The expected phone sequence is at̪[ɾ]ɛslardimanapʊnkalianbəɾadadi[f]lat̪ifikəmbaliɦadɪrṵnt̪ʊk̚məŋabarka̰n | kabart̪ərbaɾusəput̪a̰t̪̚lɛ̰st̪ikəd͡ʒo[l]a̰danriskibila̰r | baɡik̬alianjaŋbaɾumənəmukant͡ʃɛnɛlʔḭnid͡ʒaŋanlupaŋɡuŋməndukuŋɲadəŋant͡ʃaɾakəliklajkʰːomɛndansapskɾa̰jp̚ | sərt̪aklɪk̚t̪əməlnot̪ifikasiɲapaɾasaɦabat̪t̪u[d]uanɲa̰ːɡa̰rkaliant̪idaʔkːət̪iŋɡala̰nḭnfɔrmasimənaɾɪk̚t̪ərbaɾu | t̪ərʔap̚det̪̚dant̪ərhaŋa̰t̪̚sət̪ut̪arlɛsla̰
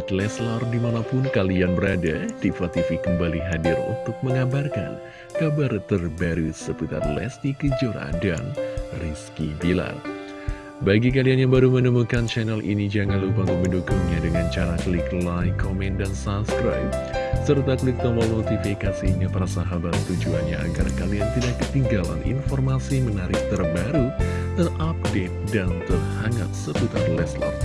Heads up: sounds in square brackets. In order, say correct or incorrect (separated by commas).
incorrect, correct, incorrect, incorrect